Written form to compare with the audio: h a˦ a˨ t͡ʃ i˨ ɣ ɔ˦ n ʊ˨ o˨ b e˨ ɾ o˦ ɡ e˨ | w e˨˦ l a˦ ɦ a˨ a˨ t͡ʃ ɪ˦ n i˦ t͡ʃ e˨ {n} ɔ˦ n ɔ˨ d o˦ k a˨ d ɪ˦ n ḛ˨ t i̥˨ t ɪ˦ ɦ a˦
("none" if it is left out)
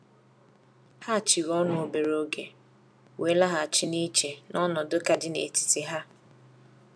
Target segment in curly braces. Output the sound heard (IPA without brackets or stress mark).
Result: n